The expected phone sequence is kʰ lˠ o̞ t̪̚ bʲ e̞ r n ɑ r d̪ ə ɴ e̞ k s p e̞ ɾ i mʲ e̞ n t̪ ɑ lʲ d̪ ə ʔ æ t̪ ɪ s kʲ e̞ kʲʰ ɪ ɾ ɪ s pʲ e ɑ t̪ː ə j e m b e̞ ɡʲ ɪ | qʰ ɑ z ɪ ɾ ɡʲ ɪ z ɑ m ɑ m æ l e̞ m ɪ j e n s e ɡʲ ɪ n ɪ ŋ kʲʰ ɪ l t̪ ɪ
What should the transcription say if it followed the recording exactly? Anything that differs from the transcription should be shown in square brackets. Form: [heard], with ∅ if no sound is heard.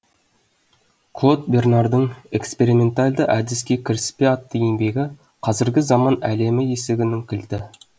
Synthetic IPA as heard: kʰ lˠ o̞ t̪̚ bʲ e̞ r n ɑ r d̪ ə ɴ e̞ k s p e̞ ɾ i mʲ e̞ n t̪ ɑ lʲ d̪ ə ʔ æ [d̪] ɪ s kʲ e̞ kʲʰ ɪ ɾ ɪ s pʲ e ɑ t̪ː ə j e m b e̞ ɡʲ ɪ | qʰ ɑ z ɪ ɾ ɡʲ ɪ z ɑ m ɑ [n] æ l e̞ m ɪ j e [∅] s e ɡʲ ɪ n ɪ ŋ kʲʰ ɪ l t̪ ɪ